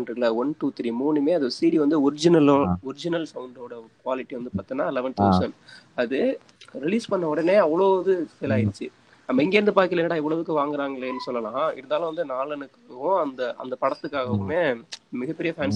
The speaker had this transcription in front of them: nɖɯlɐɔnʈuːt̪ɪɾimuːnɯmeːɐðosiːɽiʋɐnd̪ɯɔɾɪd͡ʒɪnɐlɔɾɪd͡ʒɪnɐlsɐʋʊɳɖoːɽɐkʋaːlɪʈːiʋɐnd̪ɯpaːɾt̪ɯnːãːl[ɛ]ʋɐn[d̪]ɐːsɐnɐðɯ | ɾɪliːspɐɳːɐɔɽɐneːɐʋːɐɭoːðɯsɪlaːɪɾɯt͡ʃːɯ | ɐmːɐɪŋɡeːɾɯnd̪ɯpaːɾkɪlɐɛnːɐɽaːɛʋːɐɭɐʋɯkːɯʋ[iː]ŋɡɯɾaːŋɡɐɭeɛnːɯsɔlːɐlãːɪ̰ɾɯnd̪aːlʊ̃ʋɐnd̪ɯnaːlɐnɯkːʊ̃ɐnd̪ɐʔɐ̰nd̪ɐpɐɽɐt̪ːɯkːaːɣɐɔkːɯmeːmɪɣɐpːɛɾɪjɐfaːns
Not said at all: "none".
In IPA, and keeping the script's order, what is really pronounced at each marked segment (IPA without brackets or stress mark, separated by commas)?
ɛ, t̪, aː